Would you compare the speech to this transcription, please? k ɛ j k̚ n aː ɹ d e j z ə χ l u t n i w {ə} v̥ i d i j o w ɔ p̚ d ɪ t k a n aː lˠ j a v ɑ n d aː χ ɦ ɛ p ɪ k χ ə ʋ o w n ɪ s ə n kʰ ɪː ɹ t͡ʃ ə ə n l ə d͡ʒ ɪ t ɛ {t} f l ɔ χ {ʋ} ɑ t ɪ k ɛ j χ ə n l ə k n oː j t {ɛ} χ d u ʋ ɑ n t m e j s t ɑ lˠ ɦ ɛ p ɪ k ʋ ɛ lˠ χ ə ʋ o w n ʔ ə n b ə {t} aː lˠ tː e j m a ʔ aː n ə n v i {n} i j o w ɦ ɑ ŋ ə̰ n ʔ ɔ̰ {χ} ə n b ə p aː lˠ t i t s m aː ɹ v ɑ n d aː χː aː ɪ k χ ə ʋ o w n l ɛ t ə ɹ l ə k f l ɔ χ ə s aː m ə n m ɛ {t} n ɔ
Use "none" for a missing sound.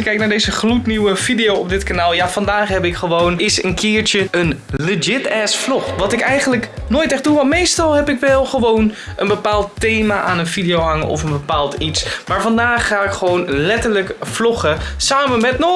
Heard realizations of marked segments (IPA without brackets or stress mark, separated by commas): ə, s, ʋ, ɛ, p, d, f, t